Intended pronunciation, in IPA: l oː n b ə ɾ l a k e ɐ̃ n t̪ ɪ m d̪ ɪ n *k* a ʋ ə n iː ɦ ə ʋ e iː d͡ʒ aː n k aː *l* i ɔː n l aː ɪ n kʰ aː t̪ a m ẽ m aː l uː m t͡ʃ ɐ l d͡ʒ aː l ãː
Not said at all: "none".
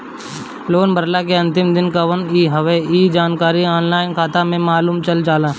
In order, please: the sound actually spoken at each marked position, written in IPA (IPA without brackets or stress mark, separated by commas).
k, ɾ